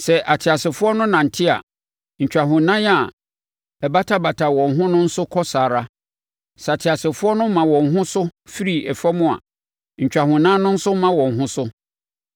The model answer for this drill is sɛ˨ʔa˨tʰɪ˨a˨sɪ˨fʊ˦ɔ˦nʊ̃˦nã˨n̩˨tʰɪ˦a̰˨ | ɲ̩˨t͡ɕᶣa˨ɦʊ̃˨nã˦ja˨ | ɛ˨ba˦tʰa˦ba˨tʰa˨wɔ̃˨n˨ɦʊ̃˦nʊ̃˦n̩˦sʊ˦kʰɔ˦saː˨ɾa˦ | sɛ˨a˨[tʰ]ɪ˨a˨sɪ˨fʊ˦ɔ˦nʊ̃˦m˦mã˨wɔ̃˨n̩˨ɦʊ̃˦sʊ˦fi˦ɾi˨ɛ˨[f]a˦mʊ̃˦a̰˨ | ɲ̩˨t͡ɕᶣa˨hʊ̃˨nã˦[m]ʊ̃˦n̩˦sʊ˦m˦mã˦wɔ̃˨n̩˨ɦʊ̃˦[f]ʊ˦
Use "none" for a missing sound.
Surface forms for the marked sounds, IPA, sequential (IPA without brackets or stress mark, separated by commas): tʰ, f, n, s